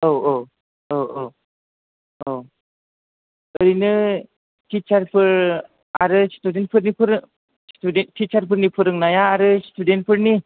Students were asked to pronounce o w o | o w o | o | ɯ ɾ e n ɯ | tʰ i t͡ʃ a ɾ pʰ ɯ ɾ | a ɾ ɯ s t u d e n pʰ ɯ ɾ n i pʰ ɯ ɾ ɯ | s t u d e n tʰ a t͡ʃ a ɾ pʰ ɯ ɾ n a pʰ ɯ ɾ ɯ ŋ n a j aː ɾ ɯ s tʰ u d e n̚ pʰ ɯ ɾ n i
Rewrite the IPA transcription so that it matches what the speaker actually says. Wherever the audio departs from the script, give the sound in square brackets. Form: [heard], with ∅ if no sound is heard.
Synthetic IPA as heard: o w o | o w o | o | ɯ ɾ [i] n ɯ | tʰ i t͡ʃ a ɾ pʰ ɯ ɾ | a ɾ ɯ s t u d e n pʰ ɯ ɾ n i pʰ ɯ ɾ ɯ | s t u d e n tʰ [i] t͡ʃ a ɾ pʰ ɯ ɾ n [i] pʰ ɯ ɾ ɯ ŋ n a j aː ɾ ɯ s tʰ u d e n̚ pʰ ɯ ɾ n i